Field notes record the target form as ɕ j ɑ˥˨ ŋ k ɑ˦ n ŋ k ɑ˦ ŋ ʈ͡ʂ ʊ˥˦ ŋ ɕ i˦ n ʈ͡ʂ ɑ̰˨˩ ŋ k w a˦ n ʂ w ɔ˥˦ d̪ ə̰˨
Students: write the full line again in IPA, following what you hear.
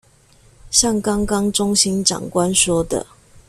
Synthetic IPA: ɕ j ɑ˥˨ ŋ k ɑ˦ ŋ k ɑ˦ ŋ ʈ͡ʂ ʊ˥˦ ŋ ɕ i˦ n ʈ͡ʂ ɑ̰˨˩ ŋ k w a˦ n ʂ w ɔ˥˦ d̪ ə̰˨